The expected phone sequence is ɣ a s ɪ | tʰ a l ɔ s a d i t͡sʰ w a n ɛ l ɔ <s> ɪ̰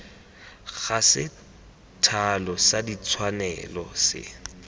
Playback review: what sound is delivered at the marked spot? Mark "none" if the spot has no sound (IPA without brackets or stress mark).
s